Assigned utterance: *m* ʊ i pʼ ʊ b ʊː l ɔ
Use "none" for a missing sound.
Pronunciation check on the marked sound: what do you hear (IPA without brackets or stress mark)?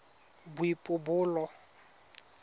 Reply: b